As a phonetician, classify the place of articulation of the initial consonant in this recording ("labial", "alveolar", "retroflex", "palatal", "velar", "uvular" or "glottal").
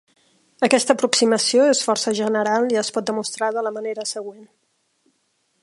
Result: velar